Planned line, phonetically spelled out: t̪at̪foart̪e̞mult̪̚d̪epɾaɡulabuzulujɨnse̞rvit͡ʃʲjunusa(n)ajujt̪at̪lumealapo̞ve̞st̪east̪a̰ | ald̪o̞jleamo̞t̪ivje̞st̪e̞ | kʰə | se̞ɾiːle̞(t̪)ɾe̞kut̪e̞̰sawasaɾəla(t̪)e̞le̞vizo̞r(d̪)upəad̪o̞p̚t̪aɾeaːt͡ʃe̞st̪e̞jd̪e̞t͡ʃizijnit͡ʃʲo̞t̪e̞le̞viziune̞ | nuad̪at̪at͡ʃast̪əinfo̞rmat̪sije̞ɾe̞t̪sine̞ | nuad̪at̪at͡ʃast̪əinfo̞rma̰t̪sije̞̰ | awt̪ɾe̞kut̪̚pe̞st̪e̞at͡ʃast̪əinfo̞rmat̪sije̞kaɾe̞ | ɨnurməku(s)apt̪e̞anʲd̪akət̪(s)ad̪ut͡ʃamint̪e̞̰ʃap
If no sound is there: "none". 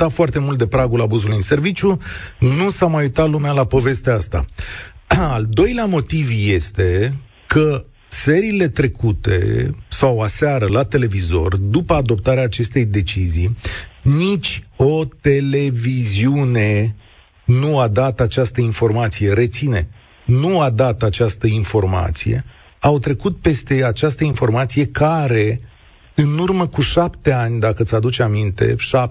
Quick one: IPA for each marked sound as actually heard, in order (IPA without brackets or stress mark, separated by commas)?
m, t̪, t̪, d̪, ʃ, s